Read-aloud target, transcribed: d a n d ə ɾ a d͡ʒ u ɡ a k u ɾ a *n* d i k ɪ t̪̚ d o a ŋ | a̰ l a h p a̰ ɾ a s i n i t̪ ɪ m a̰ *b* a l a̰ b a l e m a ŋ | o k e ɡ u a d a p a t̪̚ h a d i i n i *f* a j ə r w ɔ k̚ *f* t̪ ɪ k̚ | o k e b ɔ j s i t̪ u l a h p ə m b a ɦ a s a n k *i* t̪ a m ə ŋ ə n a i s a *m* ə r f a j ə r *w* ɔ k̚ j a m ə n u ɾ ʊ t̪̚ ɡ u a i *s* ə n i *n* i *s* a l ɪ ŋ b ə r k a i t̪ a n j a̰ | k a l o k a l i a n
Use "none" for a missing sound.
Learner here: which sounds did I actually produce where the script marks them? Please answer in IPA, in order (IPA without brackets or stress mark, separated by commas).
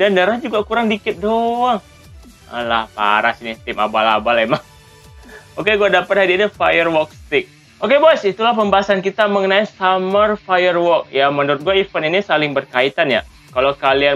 ŋ, b, f, s, i, m, w, f, n, s